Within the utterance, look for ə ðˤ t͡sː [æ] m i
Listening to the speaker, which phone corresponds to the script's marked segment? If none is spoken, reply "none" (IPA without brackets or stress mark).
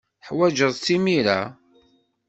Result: i